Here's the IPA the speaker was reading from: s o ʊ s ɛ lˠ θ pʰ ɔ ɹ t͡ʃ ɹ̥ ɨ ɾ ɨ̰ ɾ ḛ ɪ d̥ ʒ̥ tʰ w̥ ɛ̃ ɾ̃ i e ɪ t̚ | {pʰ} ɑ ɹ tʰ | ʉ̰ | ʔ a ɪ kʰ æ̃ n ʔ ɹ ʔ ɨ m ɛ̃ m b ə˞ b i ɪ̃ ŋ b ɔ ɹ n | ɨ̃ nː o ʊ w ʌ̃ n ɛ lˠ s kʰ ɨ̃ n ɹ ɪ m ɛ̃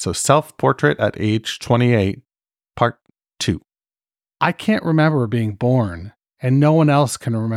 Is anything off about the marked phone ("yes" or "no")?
no